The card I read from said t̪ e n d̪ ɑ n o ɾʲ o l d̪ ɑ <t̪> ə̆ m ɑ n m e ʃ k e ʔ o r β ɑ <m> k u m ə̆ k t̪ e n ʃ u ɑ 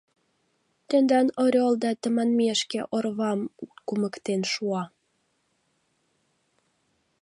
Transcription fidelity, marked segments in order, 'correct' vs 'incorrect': correct, correct

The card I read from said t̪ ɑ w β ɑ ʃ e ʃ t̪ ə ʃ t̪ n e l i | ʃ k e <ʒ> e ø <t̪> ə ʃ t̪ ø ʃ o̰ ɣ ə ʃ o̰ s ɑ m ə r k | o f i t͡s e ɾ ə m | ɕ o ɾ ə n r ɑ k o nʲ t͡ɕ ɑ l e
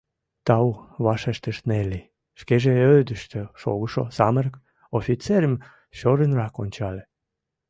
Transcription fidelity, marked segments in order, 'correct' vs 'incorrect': correct, incorrect: d̪

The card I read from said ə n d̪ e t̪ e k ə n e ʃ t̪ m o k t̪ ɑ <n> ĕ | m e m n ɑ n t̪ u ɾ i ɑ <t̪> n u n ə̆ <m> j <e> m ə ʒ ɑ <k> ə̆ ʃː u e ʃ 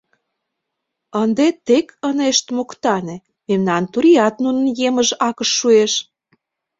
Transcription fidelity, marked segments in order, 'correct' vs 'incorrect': correct, correct, incorrect: n, correct, correct

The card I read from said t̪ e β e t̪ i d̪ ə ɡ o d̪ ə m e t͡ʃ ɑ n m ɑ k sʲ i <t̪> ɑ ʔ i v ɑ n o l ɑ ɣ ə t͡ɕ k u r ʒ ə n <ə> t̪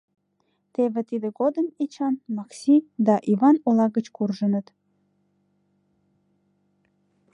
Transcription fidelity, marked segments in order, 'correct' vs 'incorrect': incorrect: d̪, correct

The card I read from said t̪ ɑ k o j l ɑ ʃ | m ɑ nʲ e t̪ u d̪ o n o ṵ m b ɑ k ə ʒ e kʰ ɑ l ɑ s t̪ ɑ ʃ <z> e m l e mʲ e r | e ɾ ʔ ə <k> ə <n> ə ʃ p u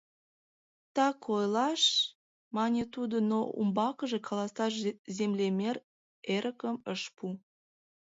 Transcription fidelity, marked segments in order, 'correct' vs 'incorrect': correct, correct, incorrect: m

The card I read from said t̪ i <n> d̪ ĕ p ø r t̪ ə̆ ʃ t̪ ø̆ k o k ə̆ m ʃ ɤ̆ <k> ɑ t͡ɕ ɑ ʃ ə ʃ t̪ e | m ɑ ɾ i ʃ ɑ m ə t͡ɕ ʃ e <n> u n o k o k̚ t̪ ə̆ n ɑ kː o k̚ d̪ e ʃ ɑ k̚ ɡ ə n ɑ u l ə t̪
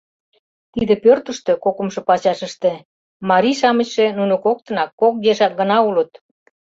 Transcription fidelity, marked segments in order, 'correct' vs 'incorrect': incorrect: none, incorrect: p, correct

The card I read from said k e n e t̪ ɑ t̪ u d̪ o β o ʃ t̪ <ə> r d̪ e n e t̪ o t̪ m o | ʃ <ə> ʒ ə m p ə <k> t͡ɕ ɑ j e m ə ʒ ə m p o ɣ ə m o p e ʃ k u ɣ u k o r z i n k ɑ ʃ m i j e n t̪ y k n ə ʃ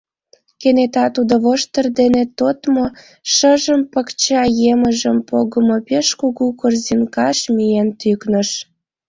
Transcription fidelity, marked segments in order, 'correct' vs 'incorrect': correct, correct, correct

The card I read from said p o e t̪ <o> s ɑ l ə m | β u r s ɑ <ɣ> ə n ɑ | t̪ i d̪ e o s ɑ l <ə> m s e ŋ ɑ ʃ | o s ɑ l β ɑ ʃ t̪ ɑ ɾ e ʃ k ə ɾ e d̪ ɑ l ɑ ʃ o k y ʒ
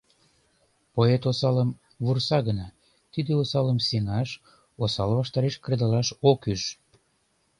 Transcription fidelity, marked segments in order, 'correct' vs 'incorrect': correct, correct, correct

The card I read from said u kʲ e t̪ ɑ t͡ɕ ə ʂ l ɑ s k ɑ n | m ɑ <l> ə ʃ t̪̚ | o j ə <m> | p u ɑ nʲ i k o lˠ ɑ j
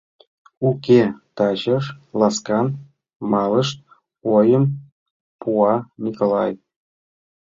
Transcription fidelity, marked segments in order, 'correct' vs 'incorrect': correct, correct

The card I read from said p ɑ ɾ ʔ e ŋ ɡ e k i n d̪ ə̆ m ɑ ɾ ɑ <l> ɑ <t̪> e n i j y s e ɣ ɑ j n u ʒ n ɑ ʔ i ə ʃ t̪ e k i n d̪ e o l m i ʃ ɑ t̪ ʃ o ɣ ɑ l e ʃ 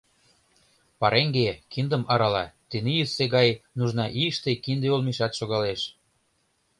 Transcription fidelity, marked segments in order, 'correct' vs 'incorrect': correct, correct

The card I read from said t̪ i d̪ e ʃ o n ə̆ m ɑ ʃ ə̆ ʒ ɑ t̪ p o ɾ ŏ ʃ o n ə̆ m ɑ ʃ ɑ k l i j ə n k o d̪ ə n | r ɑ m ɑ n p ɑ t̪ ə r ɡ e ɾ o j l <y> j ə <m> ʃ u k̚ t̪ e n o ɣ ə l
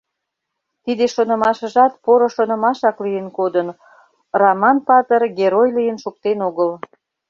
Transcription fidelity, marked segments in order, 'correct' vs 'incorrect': incorrect: i, incorrect: n

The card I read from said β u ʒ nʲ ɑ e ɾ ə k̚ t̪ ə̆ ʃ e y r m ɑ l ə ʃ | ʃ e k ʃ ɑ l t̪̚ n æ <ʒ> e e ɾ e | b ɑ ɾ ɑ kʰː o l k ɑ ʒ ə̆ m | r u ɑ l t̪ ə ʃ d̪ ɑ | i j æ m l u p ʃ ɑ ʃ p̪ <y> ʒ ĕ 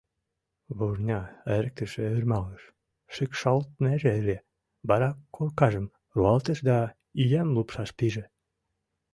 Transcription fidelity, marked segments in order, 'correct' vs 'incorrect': correct, incorrect: i

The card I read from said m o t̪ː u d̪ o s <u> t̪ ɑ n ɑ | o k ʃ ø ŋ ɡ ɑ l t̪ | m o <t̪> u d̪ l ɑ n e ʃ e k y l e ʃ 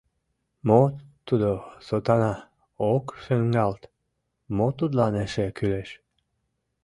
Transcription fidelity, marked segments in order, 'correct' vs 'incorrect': incorrect: o, correct

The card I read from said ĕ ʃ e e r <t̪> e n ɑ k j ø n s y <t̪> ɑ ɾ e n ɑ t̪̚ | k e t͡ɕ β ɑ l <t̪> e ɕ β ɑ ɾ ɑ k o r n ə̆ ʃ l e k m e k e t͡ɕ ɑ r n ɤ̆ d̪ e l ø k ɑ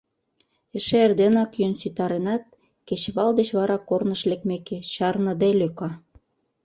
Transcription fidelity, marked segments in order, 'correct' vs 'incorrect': incorrect: d̪, correct, incorrect: d̪

